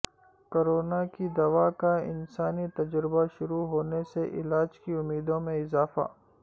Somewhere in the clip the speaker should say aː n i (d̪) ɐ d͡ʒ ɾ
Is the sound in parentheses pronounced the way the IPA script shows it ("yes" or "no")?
no